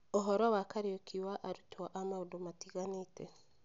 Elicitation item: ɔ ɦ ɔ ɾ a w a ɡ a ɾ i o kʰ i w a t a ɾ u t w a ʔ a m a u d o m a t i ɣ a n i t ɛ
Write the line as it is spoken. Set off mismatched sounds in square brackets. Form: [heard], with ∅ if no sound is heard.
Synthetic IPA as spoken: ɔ ɦ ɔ ɾ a w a [k] a ɾ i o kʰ i w a [ʔ] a ɾ u t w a ʔ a m a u d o m a t i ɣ a n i t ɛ

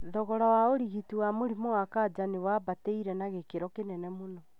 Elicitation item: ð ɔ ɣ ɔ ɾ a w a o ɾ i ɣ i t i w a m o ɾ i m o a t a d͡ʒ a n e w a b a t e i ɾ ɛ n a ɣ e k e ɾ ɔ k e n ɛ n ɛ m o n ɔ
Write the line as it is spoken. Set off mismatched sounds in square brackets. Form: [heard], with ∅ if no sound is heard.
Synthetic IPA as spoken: ð ɔ ɣ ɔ ɾ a w a o ɾ i ɣ i t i w a m o ɾ i m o a [k] a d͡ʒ a n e w a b a t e i ɾ ɛ n a ɣ e k e ɾ ɔ k e n ɛ n ɛ m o n ɔ

